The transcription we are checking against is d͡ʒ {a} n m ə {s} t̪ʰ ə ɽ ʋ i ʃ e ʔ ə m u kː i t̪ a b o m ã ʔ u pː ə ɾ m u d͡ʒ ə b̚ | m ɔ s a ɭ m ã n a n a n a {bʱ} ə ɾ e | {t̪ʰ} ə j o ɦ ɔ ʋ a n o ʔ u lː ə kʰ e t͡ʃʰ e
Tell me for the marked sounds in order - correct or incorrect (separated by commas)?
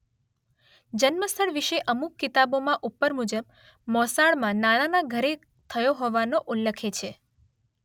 incorrect, correct, incorrect, correct